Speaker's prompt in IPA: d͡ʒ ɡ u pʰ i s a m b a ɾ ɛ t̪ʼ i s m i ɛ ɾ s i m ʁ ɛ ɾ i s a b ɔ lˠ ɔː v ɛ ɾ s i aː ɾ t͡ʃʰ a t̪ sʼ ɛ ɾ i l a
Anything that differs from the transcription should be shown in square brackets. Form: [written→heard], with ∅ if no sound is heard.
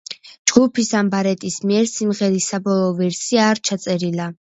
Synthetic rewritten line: d͡ʒ ɡ u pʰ i s a m b a ɾ ɛ t̪ʼ i s m i ɛ ɾ s i m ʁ ɛ ɾ i s a b ɔ lˠ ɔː v ɛ ɾ s i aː ɾ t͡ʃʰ a t̪ sʼ ɛ ɾ i l a